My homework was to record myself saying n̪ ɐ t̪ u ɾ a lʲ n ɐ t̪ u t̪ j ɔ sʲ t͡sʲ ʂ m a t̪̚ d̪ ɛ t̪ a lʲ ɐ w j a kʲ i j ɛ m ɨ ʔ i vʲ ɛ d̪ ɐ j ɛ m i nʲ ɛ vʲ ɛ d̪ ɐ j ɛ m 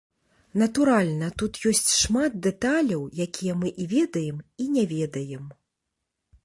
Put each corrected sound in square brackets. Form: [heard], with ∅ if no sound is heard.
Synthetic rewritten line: n̪ ɐ t̪ u ɾ a lʲ n ɐ t̪ u t̪ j ɔ sʲ t͡sʲ ʂ m a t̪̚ d̪ ɛ t̪ a lʲ ɐ w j a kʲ i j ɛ m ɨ ʔ i vʲ ɛ d̪ ɐ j ɛ m i nʲ ɛ vʲ ɛ d̪ ɐ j ɛ m